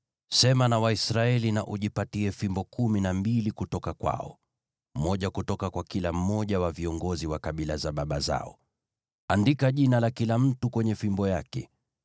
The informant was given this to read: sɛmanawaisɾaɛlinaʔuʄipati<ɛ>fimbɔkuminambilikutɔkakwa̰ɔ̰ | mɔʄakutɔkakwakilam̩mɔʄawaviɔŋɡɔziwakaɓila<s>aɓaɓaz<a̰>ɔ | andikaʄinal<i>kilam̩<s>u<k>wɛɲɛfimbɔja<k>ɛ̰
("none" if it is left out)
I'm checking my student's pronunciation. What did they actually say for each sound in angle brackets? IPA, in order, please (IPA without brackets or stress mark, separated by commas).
ɛ, z, a̰, a, t, k, k